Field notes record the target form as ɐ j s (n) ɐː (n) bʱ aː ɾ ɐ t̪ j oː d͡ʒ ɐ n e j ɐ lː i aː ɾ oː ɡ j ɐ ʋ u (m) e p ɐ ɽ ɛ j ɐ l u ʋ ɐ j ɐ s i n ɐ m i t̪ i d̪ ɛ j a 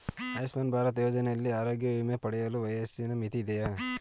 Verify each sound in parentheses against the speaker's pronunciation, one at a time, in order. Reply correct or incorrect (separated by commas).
incorrect, correct, correct